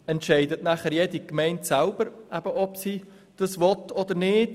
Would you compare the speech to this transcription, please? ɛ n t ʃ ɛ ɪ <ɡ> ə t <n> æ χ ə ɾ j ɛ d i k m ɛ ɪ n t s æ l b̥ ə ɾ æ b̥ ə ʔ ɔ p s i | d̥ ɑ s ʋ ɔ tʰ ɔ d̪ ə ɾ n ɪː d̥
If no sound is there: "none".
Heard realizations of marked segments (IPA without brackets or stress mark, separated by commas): d, n